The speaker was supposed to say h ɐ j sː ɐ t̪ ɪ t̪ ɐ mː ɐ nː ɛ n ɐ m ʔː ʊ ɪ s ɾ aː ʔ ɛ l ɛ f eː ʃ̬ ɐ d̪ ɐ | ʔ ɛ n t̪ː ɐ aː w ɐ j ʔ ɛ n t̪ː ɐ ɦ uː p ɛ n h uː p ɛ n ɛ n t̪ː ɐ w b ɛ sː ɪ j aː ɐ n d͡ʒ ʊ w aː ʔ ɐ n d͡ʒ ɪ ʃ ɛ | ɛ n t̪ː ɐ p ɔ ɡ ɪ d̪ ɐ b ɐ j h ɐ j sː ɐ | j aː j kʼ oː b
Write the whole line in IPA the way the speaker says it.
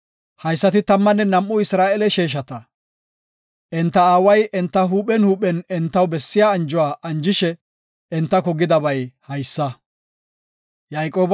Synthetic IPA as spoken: h ɐ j sː ɐ t̪ ɪ t̪ ɐ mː ɐ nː ɛ n ɐ m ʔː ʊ ɪ s ɾ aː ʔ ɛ l ɛ ʃ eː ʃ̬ ɐ t̪ ɐ | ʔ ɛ n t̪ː ɐ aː w ɐ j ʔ ɛ n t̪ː ɐ ɦ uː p ɛ n h uː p ɛ n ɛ n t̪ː ɐ w b ɛ sː ɪ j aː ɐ n d͡ʒ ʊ w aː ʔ ɐ n d͡ʒ ɪ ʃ ɛ | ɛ n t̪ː ɐ k ɔ ɡ ɪ d̪ ɐ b ɐ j h ɐ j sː ɐ | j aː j kʼ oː b